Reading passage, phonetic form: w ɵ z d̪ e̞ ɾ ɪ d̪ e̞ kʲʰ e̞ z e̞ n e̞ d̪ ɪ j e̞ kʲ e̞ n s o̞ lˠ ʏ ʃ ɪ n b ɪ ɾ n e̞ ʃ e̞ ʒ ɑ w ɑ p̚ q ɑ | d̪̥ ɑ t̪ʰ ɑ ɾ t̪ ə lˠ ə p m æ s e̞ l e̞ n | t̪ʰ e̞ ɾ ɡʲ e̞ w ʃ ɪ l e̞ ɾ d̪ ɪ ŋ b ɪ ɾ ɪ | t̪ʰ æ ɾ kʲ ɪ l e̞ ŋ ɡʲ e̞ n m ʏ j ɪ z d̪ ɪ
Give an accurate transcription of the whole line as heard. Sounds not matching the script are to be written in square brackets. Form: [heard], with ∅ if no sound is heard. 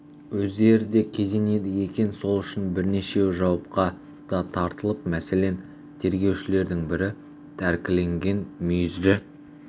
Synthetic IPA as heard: w ɵ z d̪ e̞ ɾ ɪ d̪ e̞ kʲʰ e̞ z e̞ n e̞ d̪ ɪ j e̞ kʲ e̞ n s o̞ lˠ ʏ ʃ ɪ n b ɪ ɾ n e̞ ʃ e̞ ʒ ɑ w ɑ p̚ q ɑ | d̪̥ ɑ t̪ʰ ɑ ɾ t̪ ə lˠ ə p m æ s e̞ l e̞ n | t̪ʰ e̞ ɾ ɡʲ e̞ w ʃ ɪ l e̞ ɾ d̪ ɪ ŋ b ɪ ɾ ɪ | t̪ʰ æ ɾ kʲ ɪ l e̞ ŋ ɡʲ e̞ n m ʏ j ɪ z d̪ ɪ

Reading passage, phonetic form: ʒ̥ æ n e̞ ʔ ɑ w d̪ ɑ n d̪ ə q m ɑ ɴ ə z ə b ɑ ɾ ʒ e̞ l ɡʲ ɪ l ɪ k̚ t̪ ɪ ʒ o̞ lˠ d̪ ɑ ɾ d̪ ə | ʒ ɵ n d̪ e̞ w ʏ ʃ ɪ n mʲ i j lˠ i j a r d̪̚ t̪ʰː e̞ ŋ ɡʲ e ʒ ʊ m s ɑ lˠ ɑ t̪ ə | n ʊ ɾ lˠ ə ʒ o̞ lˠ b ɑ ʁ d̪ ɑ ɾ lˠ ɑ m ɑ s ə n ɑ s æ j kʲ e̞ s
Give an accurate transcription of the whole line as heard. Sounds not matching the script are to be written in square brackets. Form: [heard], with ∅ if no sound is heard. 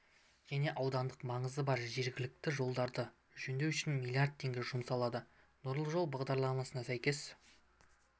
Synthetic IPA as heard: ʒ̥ æ n e̞ ʔ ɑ w d̪ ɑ n d̪ ə q m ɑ ɴ ə z ə b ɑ ɾ ʒ e̞ [ɾ] ɡʲ ɪ l ɪ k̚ t̪ ɪ ʒ o̞ lˠ d̪ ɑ ɾ d̪ ə | ʒ ɵ n d̪ e̞ w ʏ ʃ ɪ n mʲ i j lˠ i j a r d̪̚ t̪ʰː e̞ ŋ ɡʲ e ʒ ʊ m s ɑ lˠ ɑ [d̪] ə | n ʊ ɾ lˠ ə ʒ o̞ lˠ b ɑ ʁ d̪ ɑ ɾ lˠ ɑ m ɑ s ə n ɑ s æ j kʲ e̞ s

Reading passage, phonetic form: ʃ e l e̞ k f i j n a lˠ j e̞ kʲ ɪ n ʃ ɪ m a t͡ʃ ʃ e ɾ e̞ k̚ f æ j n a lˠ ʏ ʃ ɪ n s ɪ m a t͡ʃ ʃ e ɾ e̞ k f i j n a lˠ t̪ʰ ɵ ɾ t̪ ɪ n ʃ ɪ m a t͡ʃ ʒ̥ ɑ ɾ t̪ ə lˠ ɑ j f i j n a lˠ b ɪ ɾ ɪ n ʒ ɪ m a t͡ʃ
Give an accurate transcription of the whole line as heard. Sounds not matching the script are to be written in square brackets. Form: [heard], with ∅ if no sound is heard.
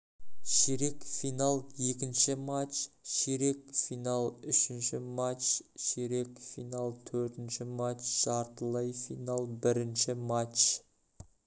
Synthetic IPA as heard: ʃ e [ɾ] e̞ k f i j n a lˠ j e̞ kʲ ɪ n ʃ ɪ m a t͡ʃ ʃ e ɾ e̞ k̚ f [i] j n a lˠ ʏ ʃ ɪ n [ʃ] ɪ m a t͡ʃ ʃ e ɾ e̞ k f i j n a lˠ t̪ʰ ɵ ɾ t̪ ɪ n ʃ ɪ m a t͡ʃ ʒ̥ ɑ ɾ t̪ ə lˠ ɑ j f i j n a lˠ b ɪ ɾ ɪ n [ʃ] ɪ m a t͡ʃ

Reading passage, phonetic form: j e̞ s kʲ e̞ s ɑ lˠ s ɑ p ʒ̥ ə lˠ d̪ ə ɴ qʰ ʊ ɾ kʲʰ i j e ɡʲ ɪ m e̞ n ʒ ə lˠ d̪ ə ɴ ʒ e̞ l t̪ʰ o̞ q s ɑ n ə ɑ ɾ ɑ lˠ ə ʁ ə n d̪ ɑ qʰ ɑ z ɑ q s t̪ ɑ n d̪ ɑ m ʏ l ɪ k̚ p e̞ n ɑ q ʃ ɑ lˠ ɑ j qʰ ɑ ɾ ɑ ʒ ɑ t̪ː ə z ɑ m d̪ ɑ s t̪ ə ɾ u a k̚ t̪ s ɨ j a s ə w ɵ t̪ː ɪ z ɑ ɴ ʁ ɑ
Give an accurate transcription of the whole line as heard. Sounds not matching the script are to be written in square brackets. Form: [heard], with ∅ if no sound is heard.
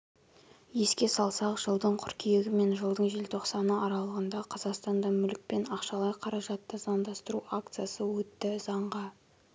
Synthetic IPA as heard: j e̞ s kʲ e̞ s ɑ lˠ s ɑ [q] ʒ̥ ə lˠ d̪ ə ɴ qʰ ʊ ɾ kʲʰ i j e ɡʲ ɪ m e̞ n ʒ ə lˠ d̪ ə ɴ ʒ e̞ l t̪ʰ o̞ q s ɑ n ə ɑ ɾ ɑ lˠ ə ʁ ə n d̪ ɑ qʰ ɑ z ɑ q s t̪ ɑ n d̪ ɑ m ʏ l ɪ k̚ p e̞ n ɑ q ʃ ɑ lˠ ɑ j qʰ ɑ ɾ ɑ ʒ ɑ t̪ː ə z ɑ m d̪ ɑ s t̪ ə ɾ u a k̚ t̪ s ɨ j a s ə w ɵ t̪ː ɪ z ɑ ɴ ʁ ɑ

